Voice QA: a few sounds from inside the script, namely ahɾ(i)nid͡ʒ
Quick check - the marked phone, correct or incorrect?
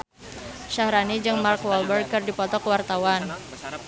incorrect